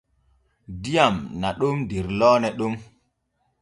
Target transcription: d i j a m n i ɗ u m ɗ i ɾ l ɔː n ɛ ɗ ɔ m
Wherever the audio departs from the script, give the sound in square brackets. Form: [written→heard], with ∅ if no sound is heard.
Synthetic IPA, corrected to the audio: d i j a m n [i→a] ɗ u m [ɗ→d] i ɾ l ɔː n ɛ ɗ [ɔ→u] m